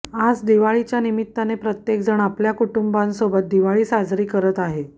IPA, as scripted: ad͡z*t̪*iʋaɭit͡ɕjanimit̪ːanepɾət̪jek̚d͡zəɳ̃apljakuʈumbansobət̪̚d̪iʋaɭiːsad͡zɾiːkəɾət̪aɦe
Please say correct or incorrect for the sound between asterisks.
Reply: incorrect